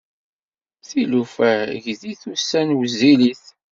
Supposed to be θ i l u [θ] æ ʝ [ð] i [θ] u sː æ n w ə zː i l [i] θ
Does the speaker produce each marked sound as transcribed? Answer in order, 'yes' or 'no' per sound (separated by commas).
no, yes, yes, yes